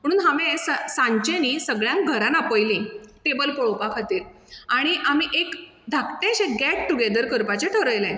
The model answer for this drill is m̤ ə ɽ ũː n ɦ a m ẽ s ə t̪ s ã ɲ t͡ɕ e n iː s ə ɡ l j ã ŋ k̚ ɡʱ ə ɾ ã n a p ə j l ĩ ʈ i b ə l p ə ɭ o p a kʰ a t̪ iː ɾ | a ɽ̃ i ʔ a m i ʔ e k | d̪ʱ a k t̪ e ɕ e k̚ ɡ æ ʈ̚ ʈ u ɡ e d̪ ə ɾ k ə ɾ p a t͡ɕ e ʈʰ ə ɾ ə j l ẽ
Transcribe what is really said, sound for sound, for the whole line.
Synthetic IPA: m̤ ə ɽ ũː n ɦ a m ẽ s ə s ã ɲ t͡ɕ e n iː s ə ɡ ɭ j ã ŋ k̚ ɡʱ ə ɾ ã n a p ə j l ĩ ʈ e b ə l p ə ɭ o p a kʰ a t̪ iː ɾ | a ɽ̃ i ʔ a m i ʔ e k | d̪ʱ a k t̪ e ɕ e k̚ ɡ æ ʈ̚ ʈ u ɡ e d̪ ə ɾ k ə ɾ p a t͡ɕ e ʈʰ ə ɾ ə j l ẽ